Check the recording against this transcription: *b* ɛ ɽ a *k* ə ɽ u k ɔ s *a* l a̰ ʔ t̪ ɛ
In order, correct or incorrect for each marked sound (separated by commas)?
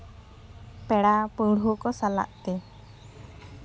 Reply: incorrect, incorrect, correct